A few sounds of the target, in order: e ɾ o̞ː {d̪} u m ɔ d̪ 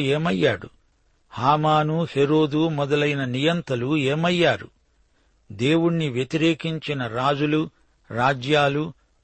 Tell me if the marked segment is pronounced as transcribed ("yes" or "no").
yes